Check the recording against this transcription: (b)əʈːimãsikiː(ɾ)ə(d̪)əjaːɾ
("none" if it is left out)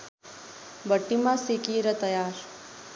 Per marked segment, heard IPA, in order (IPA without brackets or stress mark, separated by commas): b, ɾ, t̪